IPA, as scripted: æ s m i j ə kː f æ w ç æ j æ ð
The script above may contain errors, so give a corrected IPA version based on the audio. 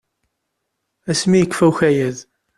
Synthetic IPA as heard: æ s m i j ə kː f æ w ç æ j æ ð

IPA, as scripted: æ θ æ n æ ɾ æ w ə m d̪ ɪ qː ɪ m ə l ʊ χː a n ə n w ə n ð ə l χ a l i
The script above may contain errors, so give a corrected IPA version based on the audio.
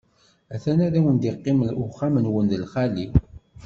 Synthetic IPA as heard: æ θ æ n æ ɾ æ w ə n d̪ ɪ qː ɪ m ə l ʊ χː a m ə n w ə n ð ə l χ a l i

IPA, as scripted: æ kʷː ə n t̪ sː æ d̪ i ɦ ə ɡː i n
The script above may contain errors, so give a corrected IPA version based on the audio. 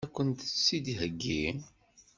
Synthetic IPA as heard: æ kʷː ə n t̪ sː i d̪ i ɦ ə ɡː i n

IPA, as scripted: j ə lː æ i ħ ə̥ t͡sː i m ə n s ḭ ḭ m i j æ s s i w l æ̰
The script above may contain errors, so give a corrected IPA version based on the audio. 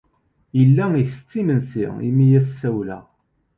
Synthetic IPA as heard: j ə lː æ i θ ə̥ t͡sː i m ə n s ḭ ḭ m i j æ s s æ w l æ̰

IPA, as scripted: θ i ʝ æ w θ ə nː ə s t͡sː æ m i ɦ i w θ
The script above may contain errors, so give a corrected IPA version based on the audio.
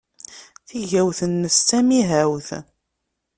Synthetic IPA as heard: θ i ʝ æ w θ ə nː ə s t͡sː æ m i ɦ æ w θ

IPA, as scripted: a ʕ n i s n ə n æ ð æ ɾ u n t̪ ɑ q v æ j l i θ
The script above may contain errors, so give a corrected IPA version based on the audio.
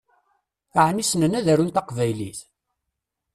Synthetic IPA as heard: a ʕ n i s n ə n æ ð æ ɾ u n t̪ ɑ q v æ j l i θ

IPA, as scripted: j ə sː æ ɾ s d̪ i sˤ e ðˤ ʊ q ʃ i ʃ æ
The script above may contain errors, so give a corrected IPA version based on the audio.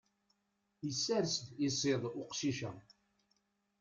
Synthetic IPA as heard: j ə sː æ ɾ s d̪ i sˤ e ðˤ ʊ q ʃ i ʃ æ

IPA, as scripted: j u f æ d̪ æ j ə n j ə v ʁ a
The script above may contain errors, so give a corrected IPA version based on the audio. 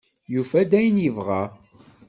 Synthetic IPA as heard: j u f æ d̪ æ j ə n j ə v ʁ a

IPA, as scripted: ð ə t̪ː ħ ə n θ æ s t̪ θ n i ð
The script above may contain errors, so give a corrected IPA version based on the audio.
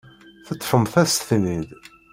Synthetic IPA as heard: θ ə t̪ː f ə m θ æ s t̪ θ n i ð

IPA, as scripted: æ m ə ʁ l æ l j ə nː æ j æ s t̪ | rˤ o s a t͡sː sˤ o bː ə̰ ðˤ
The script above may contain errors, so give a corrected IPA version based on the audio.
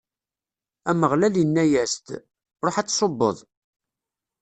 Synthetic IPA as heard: æ m ə ʁ l æ l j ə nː æ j æ s t̪ | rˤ o ħ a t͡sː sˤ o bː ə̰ ðˤ

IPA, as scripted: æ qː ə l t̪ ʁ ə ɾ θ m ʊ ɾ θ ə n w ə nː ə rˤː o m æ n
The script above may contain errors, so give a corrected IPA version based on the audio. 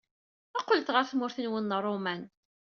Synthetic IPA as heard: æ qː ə l t̪ ʁ ə ɾ θ m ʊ ɾ θ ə n w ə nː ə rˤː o m æ n

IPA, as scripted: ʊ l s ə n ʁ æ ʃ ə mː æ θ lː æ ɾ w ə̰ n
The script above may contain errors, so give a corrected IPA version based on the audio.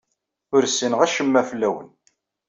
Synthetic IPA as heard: ʊ ɾ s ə n ʁ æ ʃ ə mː æ f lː æ w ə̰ n

